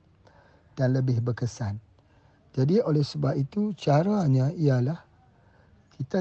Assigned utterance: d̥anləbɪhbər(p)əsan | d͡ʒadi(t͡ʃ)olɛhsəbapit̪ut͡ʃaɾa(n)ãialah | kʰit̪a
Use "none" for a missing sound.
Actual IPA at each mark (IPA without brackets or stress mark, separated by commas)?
k, none, ɲ